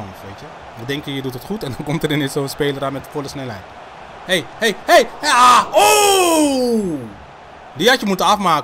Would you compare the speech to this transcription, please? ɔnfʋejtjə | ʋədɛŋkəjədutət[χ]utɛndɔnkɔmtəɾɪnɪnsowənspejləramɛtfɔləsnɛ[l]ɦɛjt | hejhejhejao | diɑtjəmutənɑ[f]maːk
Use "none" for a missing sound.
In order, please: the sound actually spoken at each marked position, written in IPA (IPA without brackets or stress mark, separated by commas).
χ, l, f